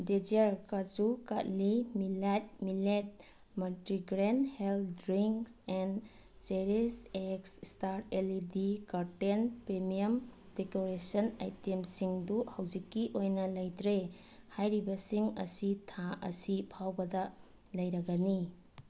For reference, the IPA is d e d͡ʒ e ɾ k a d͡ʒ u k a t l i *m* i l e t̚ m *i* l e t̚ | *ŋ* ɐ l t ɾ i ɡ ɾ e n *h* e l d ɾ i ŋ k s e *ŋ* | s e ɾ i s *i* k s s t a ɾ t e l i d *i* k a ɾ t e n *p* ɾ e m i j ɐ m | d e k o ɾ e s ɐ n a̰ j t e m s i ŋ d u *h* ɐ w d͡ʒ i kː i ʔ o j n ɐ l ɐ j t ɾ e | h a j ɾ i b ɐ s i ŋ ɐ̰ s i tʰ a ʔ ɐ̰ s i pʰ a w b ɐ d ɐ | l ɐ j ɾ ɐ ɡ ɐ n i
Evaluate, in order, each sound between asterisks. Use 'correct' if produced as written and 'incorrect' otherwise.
correct, correct, incorrect: m, correct, incorrect: n, incorrect: e, correct, correct, correct

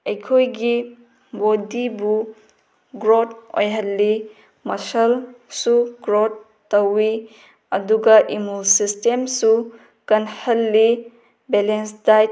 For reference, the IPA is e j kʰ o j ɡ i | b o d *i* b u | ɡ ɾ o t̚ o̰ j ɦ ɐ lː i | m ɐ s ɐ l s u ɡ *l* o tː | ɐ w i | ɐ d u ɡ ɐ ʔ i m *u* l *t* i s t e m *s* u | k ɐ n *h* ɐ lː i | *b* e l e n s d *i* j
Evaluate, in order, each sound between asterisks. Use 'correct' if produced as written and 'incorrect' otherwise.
correct, incorrect: ɾ, correct, incorrect: s, correct, correct, correct, incorrect: a

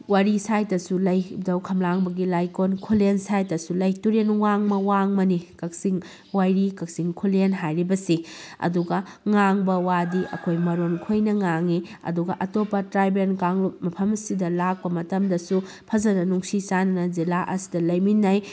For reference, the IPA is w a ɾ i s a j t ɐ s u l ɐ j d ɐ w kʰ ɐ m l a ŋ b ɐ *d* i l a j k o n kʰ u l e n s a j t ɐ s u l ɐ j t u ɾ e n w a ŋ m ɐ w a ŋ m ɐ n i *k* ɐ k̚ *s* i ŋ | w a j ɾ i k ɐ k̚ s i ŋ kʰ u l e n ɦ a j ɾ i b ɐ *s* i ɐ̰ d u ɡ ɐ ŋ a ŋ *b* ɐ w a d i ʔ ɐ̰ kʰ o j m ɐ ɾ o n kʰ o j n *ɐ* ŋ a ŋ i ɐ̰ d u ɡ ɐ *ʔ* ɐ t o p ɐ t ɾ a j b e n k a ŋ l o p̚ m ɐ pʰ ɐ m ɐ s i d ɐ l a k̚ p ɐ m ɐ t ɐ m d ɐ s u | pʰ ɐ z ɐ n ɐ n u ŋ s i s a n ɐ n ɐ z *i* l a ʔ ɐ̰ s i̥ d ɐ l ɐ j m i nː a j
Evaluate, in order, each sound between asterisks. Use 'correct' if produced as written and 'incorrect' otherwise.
incorrect: ɡ, correct, correct, correct, correct, correct, correct, correct

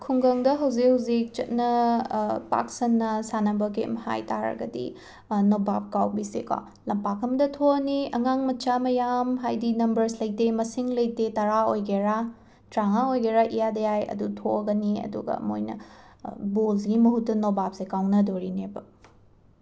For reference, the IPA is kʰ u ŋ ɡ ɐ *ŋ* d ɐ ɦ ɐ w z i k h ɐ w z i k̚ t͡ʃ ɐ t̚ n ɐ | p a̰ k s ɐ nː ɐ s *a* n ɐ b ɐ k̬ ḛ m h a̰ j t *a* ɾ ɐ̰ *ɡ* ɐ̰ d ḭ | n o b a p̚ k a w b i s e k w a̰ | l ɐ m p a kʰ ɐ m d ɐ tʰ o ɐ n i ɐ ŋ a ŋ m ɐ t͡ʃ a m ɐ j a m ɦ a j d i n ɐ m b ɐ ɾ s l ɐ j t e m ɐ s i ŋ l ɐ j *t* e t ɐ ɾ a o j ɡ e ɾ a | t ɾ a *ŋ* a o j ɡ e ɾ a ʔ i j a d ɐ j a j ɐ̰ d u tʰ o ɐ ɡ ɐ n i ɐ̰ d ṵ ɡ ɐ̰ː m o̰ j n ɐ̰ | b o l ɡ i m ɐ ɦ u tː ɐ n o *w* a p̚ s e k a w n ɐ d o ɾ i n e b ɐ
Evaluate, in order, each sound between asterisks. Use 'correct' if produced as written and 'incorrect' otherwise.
correct, correct, correct, correct, correct, correct, incorrect: b

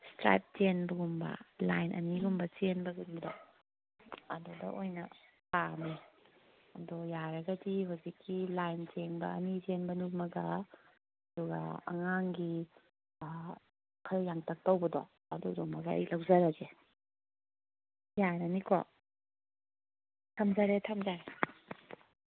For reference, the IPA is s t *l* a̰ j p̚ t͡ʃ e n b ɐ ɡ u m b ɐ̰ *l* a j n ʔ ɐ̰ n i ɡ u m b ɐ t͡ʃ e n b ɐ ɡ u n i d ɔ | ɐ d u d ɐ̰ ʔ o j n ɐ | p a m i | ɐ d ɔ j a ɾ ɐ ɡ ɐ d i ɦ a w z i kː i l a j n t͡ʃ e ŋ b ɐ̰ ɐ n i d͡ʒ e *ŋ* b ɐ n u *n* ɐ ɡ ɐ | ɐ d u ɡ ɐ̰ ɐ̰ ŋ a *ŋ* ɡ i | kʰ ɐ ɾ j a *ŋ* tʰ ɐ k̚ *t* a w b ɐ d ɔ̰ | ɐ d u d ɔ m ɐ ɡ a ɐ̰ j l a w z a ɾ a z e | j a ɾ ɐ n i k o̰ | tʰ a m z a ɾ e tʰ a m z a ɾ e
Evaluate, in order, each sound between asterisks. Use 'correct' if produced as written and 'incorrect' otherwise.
incorrect: ɾ, correct, incorrect: n, incorrect: m, correct, correct, correct

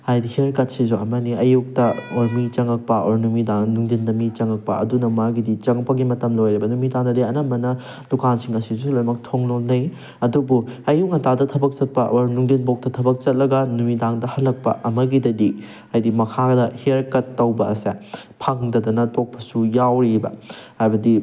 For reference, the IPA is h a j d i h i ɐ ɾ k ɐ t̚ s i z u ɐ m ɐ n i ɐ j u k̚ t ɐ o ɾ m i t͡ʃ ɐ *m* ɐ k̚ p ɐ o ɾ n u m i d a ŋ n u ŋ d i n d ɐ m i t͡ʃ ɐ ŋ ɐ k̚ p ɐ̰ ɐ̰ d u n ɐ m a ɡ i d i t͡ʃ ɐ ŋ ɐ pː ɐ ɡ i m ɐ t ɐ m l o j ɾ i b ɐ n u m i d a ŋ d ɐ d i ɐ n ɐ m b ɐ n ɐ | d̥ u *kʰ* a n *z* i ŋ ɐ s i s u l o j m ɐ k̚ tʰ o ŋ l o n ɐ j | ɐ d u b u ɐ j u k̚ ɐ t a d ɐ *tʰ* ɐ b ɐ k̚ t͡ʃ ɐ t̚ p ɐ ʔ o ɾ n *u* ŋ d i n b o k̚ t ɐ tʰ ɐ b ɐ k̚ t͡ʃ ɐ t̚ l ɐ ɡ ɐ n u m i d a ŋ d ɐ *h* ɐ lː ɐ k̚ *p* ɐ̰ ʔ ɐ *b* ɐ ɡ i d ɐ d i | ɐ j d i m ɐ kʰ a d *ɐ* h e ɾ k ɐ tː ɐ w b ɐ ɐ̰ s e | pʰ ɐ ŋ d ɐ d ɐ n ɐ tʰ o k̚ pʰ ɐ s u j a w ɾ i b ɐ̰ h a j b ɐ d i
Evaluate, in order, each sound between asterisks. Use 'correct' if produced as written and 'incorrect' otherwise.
incorrect: ŋ, incorrect: k, incorrect: s, correct, correct, correct, correct, incorrect: m, correct

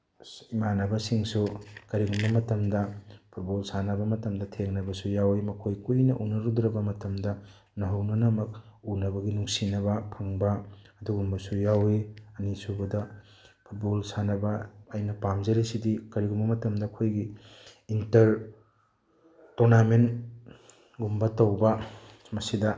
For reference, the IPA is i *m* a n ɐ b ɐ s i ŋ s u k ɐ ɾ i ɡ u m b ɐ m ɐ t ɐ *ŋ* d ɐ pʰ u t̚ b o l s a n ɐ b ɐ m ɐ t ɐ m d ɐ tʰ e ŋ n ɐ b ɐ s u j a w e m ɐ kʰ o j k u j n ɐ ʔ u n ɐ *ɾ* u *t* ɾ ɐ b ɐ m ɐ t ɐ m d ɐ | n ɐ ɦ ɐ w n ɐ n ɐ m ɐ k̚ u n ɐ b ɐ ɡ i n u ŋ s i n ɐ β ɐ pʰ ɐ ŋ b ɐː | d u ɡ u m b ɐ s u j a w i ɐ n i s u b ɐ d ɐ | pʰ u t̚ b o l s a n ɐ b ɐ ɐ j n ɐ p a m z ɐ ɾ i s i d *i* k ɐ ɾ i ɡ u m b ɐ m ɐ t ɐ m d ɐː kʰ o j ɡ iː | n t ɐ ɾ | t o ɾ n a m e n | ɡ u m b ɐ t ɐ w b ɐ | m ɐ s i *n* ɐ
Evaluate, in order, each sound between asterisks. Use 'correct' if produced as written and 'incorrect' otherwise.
correct, incorrect: m, correct, incorrect: d, correct, incorrect: d

